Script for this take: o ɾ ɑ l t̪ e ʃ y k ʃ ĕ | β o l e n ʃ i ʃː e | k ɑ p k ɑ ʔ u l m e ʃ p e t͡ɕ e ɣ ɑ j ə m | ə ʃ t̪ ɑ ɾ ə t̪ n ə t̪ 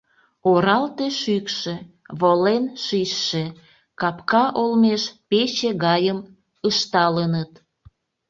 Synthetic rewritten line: o ɾ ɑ l t̪ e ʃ y k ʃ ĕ | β o l e n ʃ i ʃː e | k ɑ p k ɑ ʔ o l m e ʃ p e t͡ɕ e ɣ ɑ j ə m | ə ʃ t̪ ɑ l ə n ə t̪